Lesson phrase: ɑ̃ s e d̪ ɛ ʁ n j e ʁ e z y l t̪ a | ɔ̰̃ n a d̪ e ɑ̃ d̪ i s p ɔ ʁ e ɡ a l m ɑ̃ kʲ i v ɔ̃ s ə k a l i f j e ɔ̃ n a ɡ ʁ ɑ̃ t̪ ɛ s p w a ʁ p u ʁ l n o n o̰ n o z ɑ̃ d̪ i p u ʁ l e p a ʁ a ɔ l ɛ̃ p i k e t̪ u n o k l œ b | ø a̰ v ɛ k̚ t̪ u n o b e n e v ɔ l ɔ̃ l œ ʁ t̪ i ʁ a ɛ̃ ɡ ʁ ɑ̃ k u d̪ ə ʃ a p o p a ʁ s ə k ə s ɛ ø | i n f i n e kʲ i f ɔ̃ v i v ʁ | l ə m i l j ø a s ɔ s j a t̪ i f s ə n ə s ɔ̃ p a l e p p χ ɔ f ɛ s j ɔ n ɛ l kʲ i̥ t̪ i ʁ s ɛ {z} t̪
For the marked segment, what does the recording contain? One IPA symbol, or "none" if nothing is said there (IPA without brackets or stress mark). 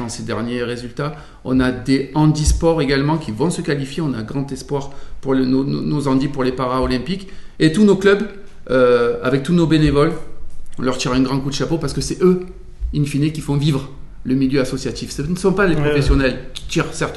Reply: ʁ